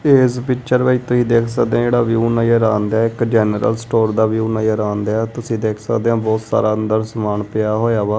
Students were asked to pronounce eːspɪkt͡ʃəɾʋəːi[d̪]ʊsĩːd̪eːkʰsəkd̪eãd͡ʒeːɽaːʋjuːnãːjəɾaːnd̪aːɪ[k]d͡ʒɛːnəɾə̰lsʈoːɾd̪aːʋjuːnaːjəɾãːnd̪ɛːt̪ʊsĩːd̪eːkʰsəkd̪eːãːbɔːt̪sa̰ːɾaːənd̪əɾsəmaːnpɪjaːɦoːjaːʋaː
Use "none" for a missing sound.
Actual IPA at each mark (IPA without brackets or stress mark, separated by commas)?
t̪, k